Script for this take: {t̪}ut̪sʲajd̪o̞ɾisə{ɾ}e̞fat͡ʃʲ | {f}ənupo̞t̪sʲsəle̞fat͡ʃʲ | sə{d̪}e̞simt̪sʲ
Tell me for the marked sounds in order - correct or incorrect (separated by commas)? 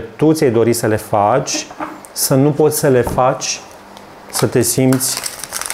correct, incorrect, incorrect, incorrect